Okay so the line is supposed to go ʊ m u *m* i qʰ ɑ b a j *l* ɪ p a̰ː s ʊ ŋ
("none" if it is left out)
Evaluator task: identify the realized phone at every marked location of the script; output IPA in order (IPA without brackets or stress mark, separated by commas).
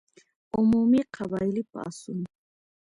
m, l